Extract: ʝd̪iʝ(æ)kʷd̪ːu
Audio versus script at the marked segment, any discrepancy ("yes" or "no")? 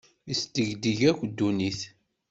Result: no